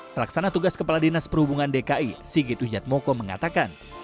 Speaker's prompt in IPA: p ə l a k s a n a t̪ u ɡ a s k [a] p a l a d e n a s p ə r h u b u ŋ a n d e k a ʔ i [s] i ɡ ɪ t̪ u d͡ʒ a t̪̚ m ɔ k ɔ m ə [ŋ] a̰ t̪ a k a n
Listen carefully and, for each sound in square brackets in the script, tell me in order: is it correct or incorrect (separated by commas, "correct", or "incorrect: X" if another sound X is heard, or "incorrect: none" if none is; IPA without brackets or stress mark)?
incorrect: ə, correct, correct